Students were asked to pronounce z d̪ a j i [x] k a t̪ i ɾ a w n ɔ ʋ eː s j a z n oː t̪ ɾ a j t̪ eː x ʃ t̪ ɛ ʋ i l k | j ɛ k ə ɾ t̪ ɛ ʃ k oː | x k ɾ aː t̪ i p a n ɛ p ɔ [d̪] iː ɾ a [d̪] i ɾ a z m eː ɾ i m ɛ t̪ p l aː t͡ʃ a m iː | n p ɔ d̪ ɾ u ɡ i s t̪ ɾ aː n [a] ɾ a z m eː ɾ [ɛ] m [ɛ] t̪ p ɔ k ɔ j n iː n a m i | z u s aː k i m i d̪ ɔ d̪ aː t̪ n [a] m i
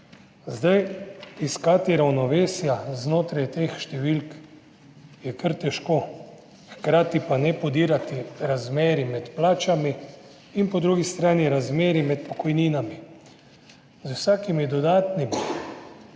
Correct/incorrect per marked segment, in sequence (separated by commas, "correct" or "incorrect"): incorrect, correct, incorrect, incorrect, incorrect, correct, incorrect